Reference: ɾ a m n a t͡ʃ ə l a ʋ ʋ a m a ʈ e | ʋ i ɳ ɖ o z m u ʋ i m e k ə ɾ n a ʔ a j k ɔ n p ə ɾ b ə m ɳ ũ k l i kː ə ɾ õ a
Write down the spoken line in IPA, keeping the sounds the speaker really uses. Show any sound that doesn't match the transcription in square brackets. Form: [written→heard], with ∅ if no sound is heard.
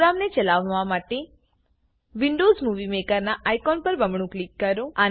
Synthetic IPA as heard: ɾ a m n [a→e] t͡ʃ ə l a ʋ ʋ a m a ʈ e | ʋ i ɳ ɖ o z m u ʋ i m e k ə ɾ n a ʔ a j k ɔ n p ə ɾ b ə m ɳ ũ k l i kː ə ɾ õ a